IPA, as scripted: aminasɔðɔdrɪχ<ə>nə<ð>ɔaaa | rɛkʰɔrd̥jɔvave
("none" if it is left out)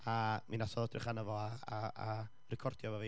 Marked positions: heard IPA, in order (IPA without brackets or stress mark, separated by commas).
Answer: a, v